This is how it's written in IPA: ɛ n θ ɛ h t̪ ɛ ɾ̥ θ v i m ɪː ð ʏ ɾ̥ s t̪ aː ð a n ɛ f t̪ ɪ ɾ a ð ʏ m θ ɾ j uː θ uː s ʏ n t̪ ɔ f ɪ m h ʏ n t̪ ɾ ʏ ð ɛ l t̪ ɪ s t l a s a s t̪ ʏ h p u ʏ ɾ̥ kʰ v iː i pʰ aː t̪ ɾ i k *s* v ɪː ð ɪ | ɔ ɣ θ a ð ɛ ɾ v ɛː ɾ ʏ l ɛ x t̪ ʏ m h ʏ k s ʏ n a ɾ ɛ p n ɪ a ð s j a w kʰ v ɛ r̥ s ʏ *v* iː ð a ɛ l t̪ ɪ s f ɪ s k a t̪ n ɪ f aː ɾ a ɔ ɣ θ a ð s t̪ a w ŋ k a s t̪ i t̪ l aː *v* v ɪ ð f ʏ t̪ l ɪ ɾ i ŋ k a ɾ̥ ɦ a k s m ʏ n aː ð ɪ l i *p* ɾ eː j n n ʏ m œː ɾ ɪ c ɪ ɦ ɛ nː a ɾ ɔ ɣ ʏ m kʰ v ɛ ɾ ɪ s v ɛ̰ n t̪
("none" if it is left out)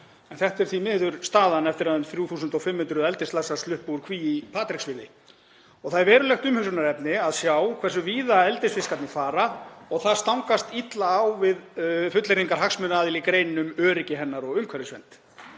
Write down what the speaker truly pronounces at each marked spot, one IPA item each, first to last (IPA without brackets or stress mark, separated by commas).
s, v, w, k